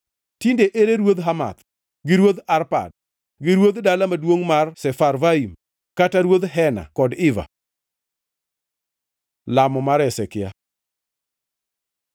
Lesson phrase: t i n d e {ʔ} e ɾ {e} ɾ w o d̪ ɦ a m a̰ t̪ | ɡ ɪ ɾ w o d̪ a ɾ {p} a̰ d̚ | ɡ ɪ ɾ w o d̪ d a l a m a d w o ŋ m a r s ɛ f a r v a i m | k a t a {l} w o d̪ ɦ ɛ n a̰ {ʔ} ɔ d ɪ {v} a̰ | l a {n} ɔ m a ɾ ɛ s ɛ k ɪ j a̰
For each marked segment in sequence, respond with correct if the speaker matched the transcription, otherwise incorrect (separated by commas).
correct, correct, correct, incorrect, incorrect, correct, incorrect